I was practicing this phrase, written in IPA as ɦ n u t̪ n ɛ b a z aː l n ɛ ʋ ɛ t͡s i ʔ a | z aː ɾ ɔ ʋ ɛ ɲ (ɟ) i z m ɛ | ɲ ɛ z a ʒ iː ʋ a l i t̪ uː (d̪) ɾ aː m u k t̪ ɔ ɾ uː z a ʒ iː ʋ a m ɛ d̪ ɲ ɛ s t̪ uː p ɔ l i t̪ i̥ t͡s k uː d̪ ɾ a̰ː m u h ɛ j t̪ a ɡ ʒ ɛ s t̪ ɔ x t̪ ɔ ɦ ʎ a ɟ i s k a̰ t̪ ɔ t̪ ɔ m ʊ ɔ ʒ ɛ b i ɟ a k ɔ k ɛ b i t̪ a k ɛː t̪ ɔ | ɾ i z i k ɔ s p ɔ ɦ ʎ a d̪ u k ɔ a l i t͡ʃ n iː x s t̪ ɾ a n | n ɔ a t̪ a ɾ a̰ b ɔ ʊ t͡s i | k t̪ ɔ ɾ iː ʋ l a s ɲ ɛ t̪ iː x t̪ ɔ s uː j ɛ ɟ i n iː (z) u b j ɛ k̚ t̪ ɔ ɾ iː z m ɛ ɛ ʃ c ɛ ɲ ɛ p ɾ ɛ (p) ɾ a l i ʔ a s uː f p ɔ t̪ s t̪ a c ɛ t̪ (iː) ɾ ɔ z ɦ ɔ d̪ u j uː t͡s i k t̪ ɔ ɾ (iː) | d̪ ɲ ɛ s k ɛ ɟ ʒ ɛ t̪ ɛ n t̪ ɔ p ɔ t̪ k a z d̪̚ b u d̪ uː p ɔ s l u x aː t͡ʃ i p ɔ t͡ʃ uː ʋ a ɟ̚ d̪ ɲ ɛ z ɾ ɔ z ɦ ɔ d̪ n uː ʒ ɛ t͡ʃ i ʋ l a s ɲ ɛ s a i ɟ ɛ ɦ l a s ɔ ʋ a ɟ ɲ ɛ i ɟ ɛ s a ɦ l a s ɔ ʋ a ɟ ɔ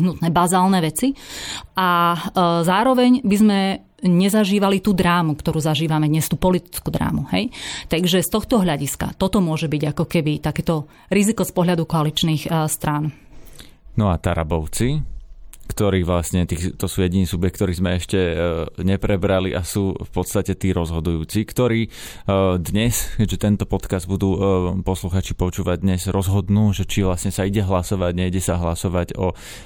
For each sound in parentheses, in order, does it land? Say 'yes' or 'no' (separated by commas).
no, yes, no, no, yes, yes